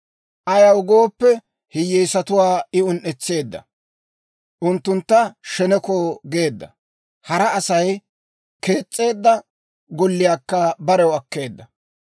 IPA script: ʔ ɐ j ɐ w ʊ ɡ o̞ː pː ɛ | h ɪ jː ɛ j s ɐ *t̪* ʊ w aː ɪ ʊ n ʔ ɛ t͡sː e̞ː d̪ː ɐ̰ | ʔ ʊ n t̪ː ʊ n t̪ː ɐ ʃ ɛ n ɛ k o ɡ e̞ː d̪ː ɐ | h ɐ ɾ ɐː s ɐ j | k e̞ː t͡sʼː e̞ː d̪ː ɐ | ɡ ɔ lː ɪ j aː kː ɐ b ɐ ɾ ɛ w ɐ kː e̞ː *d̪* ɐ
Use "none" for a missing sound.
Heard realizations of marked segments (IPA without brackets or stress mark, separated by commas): t̪, d̪ː